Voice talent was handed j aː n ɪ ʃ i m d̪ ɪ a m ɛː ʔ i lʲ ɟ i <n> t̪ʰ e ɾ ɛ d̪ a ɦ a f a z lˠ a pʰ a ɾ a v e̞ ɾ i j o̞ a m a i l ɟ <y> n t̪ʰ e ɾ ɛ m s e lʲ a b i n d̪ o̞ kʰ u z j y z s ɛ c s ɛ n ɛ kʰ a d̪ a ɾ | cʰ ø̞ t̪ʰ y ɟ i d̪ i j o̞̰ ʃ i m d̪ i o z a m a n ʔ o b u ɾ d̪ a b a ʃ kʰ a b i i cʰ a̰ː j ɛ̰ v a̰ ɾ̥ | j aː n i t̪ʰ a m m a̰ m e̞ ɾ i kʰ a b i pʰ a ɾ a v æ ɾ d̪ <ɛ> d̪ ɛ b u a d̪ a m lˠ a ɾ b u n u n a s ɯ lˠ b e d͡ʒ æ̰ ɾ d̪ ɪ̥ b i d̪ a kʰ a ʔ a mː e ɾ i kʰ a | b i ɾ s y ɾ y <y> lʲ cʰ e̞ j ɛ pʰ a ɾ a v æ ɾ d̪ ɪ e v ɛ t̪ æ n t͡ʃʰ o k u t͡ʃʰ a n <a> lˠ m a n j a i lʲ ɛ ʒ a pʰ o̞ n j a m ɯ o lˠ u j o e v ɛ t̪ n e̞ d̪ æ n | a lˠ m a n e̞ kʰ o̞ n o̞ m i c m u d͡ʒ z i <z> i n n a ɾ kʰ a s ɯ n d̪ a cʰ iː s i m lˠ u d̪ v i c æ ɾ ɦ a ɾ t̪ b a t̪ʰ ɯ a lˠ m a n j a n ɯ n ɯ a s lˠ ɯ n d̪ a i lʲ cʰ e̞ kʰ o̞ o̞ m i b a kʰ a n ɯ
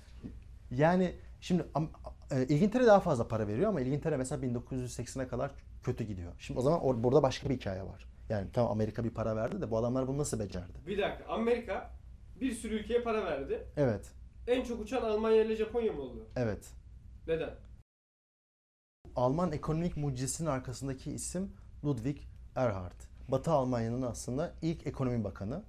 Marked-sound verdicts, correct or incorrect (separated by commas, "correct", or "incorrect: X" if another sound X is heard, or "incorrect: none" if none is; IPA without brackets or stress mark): correct, incorrect: i, incorrect: i, correct, correct, incorrect: s